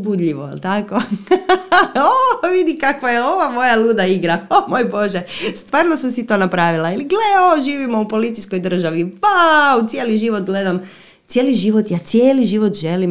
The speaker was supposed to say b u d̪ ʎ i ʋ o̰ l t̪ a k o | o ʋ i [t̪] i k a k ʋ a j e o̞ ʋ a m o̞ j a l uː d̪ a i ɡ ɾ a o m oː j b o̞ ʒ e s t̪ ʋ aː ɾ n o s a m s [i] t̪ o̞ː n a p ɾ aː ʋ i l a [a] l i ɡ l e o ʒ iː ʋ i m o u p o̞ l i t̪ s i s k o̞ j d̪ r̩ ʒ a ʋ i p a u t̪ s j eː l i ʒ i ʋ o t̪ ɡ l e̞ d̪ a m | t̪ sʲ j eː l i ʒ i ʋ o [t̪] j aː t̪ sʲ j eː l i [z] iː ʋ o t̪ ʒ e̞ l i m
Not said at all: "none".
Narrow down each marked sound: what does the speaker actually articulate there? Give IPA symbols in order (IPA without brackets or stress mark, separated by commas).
d̪, i, i, t̪, ʒ